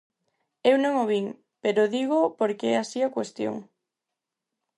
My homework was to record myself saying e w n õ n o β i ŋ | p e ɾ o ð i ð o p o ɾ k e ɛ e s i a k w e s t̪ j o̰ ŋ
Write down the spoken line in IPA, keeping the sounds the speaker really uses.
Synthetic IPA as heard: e w n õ ŋ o β i ŋ | p e ɾ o ð i ɣ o p o ɾ k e ɛ a s i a k w e s t̪ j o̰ ŋ